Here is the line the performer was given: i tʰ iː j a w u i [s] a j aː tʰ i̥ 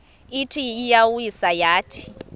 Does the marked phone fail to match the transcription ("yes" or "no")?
no